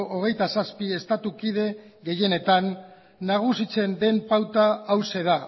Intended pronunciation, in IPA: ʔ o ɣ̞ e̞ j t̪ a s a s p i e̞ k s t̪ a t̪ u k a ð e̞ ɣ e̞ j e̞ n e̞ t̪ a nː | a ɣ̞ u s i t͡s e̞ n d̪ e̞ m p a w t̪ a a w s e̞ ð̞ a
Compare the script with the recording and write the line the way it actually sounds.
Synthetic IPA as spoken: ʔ o ɣ̞ e̞ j t̪ a s a s p i e̞ s t̪ a t̪ u k i ð e̞ ɣ e̞ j e̞ n e̞ t̪ a nː | a ɣ̞ u s i t͡s e̞ n d̪ e̞ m p a w t̪ a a w s e̞ ð̞ a